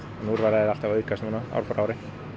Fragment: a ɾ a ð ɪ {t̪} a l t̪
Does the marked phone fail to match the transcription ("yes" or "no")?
yes